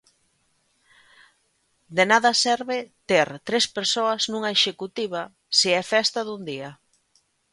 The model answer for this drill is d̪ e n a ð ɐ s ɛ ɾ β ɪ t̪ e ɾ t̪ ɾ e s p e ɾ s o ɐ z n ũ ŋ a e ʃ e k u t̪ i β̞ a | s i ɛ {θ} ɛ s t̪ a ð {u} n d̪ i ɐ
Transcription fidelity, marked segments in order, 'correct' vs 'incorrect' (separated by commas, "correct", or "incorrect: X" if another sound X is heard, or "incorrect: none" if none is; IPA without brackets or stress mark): incorrect: f, correct